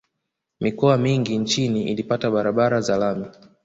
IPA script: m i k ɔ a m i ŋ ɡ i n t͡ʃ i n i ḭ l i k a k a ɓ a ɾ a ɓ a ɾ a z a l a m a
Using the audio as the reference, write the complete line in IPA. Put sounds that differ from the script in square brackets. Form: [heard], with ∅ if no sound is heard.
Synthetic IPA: m i k ɔ a m i ŋ ɡ i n t͡ʃ i n i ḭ l i [p] a [t] a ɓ a ɾ a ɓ a ɾ a z a l a m [i]